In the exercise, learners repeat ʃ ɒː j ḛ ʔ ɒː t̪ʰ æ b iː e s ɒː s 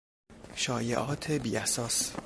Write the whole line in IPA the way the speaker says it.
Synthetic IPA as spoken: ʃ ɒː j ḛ ʔ ɒː t̪ʰ e b iː æ s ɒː s